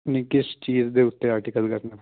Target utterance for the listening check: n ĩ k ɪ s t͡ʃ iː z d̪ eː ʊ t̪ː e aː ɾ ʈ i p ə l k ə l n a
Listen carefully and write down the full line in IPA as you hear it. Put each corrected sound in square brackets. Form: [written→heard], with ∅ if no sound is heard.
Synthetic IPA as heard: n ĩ k ɪ s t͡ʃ iː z d̪ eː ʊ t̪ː e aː ɾ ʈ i [p→k] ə l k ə [l→ɾ] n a